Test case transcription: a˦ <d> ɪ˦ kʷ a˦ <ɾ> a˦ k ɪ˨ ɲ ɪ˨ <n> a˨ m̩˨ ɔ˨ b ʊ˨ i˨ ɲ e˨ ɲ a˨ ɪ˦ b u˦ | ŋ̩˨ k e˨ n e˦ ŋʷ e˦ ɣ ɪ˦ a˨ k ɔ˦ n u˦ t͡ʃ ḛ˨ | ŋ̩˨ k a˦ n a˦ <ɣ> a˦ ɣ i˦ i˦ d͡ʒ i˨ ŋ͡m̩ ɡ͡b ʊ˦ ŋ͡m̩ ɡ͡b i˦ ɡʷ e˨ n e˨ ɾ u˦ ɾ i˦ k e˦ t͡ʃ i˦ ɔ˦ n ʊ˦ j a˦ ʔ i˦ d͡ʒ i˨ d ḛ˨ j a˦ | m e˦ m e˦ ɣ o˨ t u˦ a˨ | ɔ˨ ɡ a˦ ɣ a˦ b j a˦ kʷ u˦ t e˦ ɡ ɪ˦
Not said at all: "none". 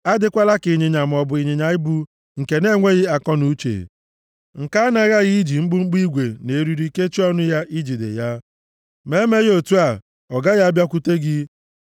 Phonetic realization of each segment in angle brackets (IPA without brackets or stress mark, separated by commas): d, l, ɲ, ɣ